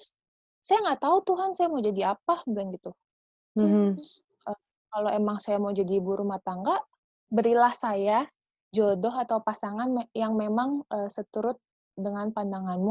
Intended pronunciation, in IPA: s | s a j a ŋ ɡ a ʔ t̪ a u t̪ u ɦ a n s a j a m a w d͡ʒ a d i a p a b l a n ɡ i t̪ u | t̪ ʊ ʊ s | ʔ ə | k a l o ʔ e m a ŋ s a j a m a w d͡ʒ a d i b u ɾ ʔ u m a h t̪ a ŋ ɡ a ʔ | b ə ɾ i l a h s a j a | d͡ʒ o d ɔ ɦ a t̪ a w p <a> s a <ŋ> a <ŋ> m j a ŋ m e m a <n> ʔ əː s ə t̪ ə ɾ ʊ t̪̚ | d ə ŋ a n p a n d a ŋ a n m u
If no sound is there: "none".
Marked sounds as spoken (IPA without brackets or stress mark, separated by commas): a, ŋ, n, ŋ